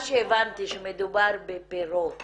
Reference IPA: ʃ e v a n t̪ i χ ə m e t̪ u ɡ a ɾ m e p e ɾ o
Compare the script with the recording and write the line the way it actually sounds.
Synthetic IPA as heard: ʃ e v a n t̪ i ʃ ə m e d̪ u b a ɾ b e p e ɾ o

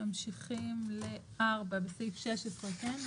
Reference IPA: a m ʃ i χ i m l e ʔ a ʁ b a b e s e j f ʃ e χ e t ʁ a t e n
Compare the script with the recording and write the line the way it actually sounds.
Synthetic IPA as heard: a m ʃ i χ i m l e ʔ a ʁ b a b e s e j f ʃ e ʃ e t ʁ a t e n

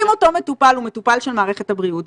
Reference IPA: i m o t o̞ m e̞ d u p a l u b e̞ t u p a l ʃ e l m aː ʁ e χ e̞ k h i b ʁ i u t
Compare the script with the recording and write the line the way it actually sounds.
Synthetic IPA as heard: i m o t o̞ m e̞ t u p a l u m e̞ t u p a l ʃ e l m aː ʁ e χ e̞ t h a b ʁ i u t

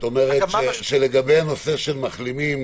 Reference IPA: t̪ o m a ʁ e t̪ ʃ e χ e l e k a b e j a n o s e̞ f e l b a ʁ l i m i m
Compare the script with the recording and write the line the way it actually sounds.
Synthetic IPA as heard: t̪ o m e ʁ e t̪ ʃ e ʃ e l e ɡ a b e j a n o s e̞ ʃ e l m a χ l i m i m

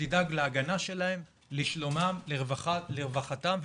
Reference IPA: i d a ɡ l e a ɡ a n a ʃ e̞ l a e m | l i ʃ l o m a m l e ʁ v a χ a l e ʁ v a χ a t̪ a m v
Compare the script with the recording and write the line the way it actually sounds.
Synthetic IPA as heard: i d a ɡ l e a ɡ a n a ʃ e̞ l a e m | l i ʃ l o m a m l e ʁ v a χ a l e ʁ v a χ a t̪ a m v

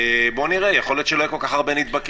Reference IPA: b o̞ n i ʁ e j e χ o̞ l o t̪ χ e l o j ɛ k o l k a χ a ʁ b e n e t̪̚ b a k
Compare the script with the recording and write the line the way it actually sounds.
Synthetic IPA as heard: b o̞ n i ʁ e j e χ o̞ l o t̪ ʃ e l o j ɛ k o l k a χ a ʁ b e n i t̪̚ b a k

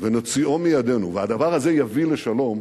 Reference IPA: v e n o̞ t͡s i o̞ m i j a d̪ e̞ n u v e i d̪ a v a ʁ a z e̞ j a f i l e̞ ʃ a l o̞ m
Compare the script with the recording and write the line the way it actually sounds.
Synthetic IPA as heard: v e n o̞ t͡s i o̞ m i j a d̪ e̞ n u v e a d̪ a v a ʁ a z e̞ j a v i l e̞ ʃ a l o̞ m

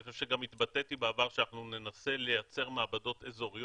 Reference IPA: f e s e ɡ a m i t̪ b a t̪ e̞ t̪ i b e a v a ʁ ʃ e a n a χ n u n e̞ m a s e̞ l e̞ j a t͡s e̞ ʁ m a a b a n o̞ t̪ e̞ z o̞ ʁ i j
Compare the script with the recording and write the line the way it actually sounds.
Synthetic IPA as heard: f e ʃ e ɡ a m i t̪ b a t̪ e̞ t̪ i b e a v a ʁ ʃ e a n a χ n u n e̞ n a s e̞ l e̞ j a t͡s e̞ ʁ m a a b a d o̞ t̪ e̞ z o̞ ʁ i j

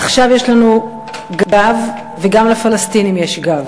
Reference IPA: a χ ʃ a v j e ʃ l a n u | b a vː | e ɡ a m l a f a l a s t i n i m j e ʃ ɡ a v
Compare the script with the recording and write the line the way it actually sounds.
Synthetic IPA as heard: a χ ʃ a v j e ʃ l a n u | ɡ a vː | e ɡ a m l a f a l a s t i n i m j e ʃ ɡ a v

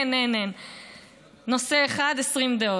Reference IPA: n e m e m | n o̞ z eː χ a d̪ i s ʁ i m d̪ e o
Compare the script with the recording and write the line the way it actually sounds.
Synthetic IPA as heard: n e n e n | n o̞ s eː χ a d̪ e s ʁ i m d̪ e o

